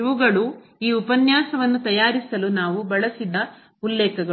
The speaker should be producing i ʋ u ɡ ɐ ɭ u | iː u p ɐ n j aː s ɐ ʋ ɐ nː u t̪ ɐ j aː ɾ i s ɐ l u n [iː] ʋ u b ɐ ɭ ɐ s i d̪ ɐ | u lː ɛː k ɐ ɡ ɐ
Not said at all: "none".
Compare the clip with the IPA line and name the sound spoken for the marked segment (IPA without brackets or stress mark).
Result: aː